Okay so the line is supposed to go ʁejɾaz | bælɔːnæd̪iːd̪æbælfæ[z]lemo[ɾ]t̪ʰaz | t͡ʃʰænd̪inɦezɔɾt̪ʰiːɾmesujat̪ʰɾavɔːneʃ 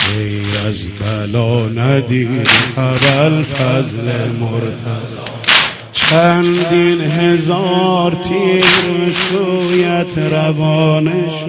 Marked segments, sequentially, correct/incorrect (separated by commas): correct, correct